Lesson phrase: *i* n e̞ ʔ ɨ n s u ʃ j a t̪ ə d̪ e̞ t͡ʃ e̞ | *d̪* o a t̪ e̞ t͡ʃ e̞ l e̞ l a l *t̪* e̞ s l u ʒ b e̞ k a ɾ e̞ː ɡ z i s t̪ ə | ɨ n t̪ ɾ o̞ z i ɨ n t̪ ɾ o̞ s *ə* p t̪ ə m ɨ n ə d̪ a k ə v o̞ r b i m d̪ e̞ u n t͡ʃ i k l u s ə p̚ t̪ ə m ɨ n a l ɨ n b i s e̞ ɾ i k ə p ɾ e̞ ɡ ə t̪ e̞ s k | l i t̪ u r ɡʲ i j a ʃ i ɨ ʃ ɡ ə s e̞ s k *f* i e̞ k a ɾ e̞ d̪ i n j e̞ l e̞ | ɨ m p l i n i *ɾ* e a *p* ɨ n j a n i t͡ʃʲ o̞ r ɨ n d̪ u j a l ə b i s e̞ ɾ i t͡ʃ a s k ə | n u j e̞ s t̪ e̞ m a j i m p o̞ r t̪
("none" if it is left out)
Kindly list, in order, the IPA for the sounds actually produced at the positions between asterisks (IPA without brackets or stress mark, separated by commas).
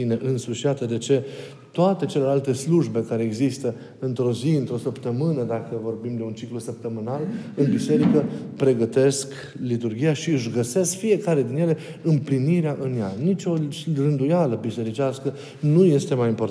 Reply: i, t̪, t̪, ə, f, ɾ, ʔ